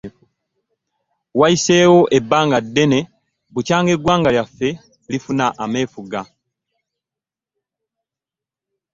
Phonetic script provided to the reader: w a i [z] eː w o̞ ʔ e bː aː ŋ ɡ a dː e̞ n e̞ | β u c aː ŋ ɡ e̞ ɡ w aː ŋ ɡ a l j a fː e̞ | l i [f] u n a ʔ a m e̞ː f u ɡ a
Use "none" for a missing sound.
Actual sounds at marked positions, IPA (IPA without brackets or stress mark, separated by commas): s, f